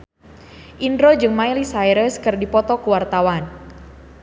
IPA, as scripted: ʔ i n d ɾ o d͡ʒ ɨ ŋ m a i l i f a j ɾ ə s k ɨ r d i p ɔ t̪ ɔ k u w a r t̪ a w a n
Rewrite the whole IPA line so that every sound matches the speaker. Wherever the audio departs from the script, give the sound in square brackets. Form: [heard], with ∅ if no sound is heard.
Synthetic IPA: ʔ i n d ɾ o d͡ʒ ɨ ŋ m a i l i [s] a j ɾ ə s k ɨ r d i p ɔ t̪ ɔ k u w a r t̪ a w a n

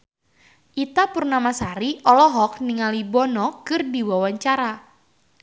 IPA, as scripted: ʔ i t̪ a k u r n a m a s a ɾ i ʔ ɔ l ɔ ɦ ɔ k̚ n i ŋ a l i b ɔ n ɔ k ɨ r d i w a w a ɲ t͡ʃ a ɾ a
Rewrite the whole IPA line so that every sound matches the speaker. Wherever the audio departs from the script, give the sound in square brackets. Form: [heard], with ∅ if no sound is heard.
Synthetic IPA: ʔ i t̪ a [p] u r n a m a s a ɾ i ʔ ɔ l ɔ ɦ ɔ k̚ n i ŋ a l i b ɔ n ɔ k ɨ r d i w a w a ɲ t͡ʃ a ɾ a

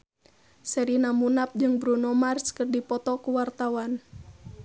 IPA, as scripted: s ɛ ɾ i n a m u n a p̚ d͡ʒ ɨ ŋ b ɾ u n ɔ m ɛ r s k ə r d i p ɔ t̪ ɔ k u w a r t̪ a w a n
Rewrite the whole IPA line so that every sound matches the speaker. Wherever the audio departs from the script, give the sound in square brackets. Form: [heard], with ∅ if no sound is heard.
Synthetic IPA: s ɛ ɾ i n a m u n a p̚ d͡ʒ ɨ ŋ b ɾ u n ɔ m [a] r s k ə r d i p ɔ t̪ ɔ k u w a r t̪ a w a n

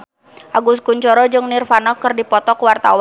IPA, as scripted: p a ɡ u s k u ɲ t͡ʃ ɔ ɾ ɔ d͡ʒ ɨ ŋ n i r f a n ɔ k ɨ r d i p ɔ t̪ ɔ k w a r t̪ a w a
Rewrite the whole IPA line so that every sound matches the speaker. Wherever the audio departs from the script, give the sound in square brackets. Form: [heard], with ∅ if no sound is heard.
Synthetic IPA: [ʔ] a ɡ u s k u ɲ t͡ʃ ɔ ɾ ɔ d͡ʒ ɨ ŋ n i r f a n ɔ k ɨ r d i p ɔ t̪ ɔ k w a r t̪ a w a

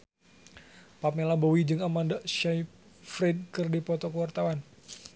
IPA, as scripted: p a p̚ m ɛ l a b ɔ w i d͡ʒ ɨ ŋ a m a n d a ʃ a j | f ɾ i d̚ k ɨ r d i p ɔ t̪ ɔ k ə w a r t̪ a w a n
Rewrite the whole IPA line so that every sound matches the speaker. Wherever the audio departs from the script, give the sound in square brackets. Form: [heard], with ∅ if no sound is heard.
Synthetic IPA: p a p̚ m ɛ l a b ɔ w i d͡ʒ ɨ ŋ a m a n d a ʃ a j | f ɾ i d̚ k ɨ r d i p ɔ t̪ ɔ k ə w a r t̪ a w a n

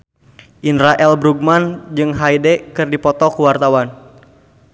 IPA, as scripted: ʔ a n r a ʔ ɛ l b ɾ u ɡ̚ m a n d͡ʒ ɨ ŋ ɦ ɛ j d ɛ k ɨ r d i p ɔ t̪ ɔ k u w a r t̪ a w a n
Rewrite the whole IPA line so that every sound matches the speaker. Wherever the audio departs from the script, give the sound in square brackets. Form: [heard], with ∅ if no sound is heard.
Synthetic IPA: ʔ [i] n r a ʔ ɛ l b ɾ u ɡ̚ m a n d͡ʒ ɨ ŋ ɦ [a] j d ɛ k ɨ r d i p ɔ t̪ ɔ k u w a r t̪ a w a n

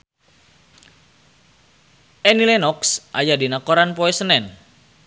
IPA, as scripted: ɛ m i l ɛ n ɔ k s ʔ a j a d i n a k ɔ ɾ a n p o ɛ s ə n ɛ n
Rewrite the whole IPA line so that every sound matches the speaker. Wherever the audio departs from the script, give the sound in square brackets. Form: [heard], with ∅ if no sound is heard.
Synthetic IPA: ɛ [n] i l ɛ n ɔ k s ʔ a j a d i n a k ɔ ɾ a n p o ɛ s ə n ɛ n

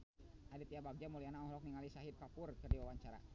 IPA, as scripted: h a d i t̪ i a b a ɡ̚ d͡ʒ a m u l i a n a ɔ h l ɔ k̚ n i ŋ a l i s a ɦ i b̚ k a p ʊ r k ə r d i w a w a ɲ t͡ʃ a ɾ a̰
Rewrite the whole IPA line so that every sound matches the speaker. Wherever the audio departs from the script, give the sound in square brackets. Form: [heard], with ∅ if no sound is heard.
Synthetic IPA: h a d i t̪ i a b a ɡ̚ d͡ʒ a m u l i a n a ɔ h l ɔ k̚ n i ŋ a l i s a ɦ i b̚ k a p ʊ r k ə r d i w a w a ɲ t͡ʃ a ɾ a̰

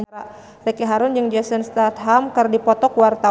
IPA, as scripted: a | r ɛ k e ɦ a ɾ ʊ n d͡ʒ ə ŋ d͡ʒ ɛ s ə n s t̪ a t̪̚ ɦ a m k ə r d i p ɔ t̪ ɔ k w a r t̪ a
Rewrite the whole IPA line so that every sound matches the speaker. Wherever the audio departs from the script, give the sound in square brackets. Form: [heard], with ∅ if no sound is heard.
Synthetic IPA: a | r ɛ k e ɦ a ɾ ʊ n d͡ʒ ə ŋ d͡ʒ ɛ s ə n s t̪ a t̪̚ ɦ a m k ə r d i p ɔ t̪ ɔ k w a r t̪ a

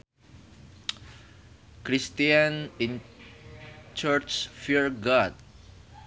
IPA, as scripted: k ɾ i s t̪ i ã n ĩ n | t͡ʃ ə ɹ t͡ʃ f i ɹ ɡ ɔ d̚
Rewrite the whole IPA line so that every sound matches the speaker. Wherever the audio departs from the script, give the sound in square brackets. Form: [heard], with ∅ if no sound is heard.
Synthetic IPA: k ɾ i s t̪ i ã n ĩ n | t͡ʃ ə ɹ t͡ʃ f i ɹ ɡ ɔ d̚

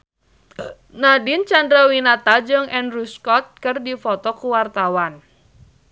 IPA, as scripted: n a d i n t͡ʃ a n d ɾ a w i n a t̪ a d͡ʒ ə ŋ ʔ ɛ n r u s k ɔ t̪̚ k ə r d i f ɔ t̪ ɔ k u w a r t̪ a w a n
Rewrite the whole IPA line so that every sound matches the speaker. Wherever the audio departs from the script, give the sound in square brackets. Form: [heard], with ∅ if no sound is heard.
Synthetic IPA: n a d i n t͡ʃ a n d ɾ a w i n a t̪ a d͡ʒ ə ŋ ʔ ɛ n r u s k ɔ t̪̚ k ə r d i f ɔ t̪ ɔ k u w a r t̪ a w a n

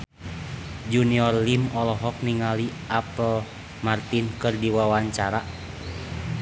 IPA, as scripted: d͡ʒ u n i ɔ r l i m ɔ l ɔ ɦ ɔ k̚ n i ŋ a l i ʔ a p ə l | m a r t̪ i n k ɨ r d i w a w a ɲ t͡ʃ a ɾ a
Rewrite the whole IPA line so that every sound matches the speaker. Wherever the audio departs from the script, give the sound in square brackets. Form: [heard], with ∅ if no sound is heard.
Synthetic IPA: d͡ʒ u n i ɔ r l i m ɔ l ɔ ɦ ɔ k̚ n i ŋ a l i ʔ a p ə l | m a r t̪ i n k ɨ r d i w a w a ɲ t͡ʃ a ɾ a

